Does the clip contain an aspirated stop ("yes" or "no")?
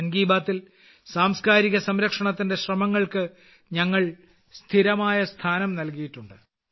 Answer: yes